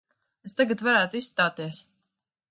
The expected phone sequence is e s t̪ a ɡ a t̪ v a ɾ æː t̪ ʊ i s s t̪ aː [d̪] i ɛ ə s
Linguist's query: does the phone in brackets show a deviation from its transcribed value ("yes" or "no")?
yes